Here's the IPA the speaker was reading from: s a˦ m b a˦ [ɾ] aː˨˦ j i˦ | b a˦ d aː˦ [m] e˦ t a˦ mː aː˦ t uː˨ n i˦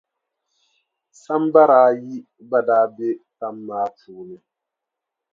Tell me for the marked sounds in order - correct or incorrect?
correct, incorrect

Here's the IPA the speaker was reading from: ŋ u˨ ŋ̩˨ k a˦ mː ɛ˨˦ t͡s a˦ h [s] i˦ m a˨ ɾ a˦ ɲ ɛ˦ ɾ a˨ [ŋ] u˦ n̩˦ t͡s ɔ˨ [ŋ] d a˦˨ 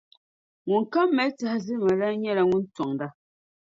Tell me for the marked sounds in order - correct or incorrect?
incorrect, correct, correct

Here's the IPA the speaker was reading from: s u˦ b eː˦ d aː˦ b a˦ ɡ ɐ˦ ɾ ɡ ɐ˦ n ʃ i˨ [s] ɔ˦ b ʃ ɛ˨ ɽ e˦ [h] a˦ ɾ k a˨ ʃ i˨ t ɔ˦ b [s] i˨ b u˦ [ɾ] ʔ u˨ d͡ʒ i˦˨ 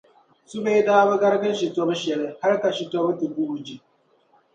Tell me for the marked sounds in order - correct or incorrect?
incorrect, correct, incorrect, incorrect

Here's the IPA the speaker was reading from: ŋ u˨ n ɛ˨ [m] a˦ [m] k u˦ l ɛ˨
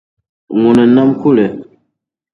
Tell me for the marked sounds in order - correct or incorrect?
incorrect, correct

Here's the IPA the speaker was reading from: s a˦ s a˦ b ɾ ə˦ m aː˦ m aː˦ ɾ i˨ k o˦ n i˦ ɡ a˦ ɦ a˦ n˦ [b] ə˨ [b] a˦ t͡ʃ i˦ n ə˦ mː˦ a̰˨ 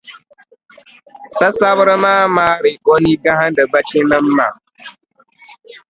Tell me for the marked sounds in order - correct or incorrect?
incorrect, correct

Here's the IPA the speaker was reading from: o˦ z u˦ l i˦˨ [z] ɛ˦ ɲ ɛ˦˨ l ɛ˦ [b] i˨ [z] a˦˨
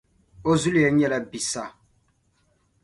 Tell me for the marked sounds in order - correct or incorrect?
incorrect, correct, incorrect

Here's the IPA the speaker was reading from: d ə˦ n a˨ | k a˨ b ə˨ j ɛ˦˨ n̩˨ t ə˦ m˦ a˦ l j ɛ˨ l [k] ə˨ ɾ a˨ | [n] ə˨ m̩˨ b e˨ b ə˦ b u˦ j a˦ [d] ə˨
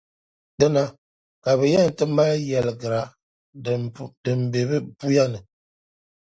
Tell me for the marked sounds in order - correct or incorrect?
incorrect, incorrect, incorrect

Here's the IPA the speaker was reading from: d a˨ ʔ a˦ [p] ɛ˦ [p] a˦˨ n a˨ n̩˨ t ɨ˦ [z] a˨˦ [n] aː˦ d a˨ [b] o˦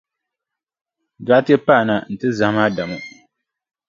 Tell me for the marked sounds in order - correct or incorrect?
incorrect, correct, correct, incorrect, incorrect

